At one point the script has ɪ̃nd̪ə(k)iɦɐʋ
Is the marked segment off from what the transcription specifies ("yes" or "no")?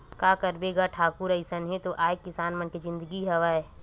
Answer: yes